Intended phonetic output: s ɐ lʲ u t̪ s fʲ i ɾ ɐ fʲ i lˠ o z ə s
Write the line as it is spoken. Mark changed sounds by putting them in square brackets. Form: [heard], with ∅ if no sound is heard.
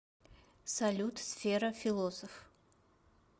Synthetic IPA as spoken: s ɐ lʲ u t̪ s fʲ [e] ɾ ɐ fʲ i lˠ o [s] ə [f]